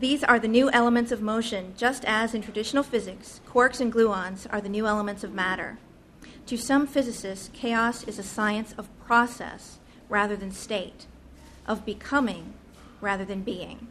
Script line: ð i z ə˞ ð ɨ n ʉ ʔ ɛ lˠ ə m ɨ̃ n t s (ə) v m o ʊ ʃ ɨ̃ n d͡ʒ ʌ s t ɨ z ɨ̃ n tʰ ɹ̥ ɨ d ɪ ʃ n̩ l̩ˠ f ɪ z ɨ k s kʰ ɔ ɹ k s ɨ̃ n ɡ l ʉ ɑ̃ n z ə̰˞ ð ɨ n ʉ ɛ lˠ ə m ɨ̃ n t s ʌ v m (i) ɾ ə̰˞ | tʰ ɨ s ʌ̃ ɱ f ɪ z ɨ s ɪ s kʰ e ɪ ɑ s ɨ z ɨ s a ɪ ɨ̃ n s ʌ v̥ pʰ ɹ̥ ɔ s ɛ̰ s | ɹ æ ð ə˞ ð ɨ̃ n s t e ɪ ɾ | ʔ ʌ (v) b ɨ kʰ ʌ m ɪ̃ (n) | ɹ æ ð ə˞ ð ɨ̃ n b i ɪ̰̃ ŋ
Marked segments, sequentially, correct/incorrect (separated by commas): incorrect, incorrect, correct, incorrect